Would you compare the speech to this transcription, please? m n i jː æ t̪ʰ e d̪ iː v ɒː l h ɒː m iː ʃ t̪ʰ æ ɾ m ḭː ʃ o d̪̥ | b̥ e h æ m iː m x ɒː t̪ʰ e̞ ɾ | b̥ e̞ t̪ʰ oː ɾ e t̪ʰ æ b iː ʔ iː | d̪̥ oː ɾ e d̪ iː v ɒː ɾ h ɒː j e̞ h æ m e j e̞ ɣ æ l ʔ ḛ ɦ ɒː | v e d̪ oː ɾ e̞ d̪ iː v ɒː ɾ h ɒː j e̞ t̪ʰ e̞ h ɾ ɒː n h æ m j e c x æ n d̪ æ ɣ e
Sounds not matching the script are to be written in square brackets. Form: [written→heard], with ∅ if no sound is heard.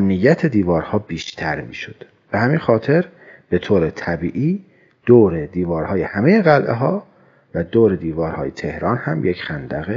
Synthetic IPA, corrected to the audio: m n i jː æ t̪ʰ e d̪ iː v ɒː [l→ɾ] h ɒː [m→b] iː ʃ t̪ʰ æ ɾ m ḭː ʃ o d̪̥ | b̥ e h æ m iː [m→n] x ɒː t̪ʰ e̞ ɾ | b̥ e̞ t̪ʰ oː ɾ e t̪ʰ æ b iː ʔ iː | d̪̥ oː ɾ e d̪ iː v ɒː ɾ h ɒː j e̞ h æ m e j e̞ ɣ æ l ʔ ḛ ɦ ɒː | v [e→æ] d̪ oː ɾ e̞ d̪ iː v ɒː ɾ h ɒː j e̞ t̪ʰ e̞ h ɾ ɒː n h æ m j e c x æ n d̪ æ ɣ e